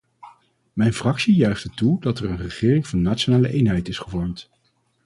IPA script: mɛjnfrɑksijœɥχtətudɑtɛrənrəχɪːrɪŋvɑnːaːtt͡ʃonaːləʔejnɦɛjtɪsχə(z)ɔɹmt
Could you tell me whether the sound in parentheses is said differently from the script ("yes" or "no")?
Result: yes